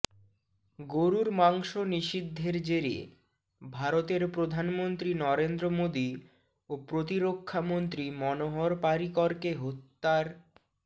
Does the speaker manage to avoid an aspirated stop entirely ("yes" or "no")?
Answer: no